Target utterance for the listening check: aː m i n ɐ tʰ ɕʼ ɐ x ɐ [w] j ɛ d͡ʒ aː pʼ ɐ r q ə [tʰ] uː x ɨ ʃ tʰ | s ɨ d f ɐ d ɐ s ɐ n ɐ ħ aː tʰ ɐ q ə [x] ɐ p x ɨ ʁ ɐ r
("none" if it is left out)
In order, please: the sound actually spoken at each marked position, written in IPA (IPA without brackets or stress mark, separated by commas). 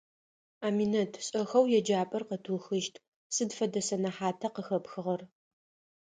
w, tʰ, x